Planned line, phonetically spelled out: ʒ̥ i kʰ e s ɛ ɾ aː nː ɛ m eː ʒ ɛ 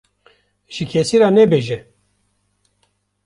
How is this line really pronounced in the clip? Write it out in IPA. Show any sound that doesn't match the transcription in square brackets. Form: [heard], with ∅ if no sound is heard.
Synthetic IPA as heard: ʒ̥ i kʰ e s [i] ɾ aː [n] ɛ [b] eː ʒ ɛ